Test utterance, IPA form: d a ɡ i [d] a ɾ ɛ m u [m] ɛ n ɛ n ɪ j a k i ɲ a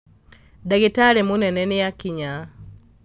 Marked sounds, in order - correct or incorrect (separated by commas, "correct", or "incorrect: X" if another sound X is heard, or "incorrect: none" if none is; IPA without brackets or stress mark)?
incorrect: t, incorrect: n